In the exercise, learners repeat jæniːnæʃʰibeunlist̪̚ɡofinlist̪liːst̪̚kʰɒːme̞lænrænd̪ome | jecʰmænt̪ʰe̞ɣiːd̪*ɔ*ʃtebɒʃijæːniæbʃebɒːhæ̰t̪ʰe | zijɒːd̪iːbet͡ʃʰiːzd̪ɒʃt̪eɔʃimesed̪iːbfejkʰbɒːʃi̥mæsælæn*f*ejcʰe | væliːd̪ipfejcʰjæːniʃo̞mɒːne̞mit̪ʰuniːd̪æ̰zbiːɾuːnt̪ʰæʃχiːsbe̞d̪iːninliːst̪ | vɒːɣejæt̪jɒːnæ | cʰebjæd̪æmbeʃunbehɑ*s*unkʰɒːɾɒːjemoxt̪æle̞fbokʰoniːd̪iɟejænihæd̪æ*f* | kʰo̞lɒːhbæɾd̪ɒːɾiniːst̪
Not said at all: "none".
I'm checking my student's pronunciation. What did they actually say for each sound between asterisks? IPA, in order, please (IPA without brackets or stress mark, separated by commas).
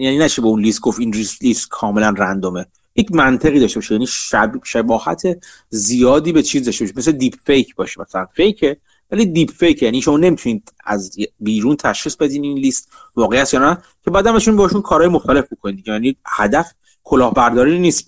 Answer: ɒ, f, ʃ, f